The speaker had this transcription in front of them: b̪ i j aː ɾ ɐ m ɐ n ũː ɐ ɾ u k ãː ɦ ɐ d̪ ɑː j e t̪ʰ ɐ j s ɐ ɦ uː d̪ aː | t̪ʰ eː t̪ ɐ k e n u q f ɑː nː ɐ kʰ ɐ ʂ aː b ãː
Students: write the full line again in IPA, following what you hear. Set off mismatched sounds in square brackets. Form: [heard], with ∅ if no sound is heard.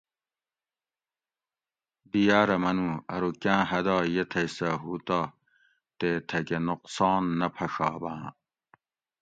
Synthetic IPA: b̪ i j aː ɾ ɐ m ɐ n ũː ɐ ɾ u k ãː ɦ ɐ d̪ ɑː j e t̪ʰ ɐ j s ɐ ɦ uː [t̪] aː | [t̪] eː [t̪ʰ] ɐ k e n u q [s] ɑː nː ɐ [pʰ] ɐ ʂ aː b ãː